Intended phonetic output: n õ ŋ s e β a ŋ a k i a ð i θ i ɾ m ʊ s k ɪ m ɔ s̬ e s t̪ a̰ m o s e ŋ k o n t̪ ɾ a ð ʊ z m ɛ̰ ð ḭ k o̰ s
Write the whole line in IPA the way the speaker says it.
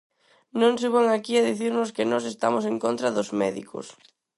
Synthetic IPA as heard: n õ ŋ s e β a ŋ a k i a ð i θ i ɾ n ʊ s k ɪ n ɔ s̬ e s t̪ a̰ m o s e ŋ k o n t̪ ɾ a ð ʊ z m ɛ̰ ð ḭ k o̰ s